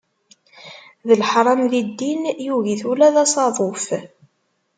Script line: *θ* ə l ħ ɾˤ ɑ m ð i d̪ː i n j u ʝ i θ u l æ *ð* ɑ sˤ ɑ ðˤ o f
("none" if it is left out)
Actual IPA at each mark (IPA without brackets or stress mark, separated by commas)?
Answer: ð, ð